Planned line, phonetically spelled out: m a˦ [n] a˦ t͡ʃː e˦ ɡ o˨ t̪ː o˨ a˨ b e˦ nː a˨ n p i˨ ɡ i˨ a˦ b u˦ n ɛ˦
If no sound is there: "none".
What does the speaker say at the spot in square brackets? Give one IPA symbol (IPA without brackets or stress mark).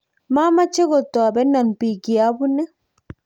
m